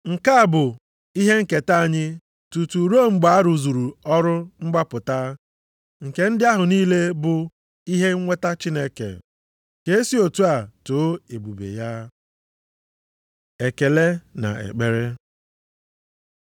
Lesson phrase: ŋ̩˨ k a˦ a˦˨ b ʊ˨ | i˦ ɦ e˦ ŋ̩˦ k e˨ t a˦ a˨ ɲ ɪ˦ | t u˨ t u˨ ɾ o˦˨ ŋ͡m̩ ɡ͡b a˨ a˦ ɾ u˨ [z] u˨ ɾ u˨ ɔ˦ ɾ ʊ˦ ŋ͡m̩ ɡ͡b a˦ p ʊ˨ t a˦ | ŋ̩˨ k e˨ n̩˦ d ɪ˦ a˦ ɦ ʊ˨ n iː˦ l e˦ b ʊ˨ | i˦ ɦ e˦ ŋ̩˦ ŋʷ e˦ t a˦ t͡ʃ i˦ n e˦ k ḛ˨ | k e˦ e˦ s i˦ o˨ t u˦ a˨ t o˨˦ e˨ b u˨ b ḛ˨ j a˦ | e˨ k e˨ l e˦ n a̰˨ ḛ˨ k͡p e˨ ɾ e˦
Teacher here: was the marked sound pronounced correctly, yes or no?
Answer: yes